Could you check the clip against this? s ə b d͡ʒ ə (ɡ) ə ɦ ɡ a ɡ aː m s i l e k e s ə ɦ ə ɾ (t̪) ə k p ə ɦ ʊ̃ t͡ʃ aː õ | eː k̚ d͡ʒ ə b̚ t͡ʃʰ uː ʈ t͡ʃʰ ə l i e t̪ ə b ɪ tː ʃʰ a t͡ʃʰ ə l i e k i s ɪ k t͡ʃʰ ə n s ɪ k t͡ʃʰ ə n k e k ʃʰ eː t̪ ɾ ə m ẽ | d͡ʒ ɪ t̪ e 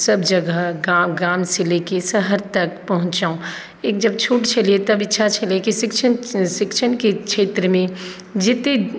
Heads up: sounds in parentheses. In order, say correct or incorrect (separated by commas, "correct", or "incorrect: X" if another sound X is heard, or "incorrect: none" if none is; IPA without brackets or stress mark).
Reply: correct, correct